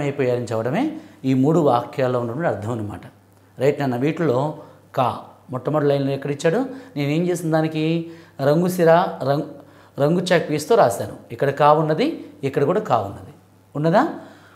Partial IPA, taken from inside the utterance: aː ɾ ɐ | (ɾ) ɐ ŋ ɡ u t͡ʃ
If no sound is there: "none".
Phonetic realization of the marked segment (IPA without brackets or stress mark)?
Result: ɾ